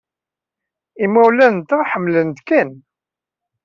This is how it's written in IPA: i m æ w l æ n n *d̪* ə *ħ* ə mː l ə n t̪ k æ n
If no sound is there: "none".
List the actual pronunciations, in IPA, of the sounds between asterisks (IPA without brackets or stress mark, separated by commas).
t̪, ħ